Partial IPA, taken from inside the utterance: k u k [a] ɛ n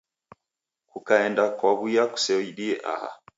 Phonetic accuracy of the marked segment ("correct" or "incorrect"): correct